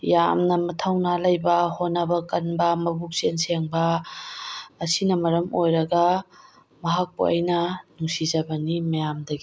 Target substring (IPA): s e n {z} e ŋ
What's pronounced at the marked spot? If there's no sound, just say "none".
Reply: s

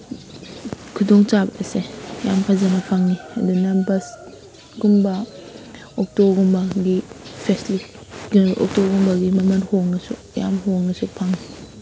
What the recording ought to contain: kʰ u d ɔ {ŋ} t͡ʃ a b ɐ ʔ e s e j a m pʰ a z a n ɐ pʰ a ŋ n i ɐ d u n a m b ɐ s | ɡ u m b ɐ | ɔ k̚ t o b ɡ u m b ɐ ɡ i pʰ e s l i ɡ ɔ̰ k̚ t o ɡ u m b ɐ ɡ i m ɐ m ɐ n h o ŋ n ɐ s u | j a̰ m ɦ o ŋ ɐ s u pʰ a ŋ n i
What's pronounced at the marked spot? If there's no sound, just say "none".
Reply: ŋ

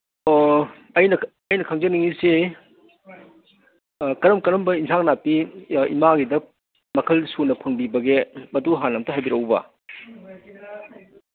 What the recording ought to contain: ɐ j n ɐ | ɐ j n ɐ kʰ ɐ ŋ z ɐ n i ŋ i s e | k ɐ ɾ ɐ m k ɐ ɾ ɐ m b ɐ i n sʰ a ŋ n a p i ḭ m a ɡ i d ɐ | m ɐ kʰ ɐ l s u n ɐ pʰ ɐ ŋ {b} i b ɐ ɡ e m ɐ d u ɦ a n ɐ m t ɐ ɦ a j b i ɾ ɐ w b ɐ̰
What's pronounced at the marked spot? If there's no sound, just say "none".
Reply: b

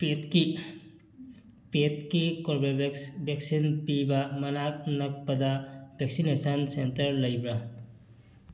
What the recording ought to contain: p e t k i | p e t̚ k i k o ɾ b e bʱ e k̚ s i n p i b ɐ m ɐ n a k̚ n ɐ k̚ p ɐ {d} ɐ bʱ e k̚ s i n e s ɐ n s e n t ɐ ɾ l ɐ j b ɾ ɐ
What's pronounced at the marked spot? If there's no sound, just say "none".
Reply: d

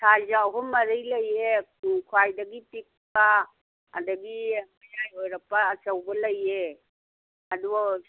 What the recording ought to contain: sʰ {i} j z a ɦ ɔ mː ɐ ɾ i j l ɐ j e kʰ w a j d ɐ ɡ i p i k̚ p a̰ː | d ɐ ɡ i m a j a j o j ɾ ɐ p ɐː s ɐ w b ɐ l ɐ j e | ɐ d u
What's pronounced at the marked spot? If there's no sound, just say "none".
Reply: a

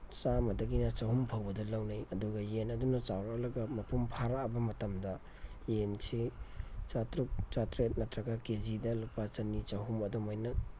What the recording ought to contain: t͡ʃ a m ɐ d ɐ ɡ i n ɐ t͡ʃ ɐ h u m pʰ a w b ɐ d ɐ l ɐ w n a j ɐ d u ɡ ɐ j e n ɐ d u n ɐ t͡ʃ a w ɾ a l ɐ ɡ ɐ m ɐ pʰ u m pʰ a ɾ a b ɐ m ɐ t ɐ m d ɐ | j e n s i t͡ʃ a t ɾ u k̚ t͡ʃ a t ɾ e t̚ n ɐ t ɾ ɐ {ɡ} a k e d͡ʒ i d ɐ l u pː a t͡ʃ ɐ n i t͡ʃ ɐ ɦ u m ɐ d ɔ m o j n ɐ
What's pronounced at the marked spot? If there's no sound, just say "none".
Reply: ɡ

